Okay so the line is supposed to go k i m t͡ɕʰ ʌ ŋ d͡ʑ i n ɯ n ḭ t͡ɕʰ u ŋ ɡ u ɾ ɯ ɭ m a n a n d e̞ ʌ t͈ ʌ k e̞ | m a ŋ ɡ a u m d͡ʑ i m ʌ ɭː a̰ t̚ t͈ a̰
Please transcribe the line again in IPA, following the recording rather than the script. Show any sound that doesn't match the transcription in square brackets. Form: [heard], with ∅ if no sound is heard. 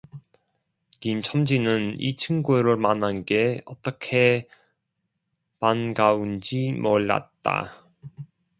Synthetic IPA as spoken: k i m t͡ɕʰ ʌ [m] d͡ʑ i n ɯ n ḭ t͡ɕʰ [ɯ] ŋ ɡ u ɾ ɯ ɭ m a n a n [ɡ] e̞ ʌ t͈ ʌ [kʰ] e̞ | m a [n] ɡ a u [n] d͡ʑ i m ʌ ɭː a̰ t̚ t͈ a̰